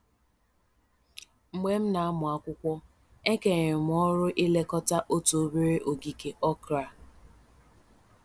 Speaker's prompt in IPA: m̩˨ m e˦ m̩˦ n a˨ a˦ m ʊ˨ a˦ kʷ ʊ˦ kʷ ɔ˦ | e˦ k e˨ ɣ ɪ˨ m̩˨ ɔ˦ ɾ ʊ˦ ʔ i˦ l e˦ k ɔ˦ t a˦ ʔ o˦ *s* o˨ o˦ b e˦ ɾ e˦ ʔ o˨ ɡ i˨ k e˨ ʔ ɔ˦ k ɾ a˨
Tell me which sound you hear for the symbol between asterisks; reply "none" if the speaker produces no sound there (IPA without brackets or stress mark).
t